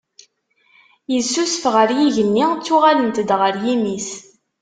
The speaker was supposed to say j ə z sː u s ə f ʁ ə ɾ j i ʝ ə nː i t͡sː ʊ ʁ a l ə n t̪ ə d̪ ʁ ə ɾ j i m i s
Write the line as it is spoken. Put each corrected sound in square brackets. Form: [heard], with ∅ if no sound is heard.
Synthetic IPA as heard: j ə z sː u s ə f ʁ ə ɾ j i ʝ ə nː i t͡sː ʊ ʁ a l ə n t̪ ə d̪ ʁ ə ɾ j i m i s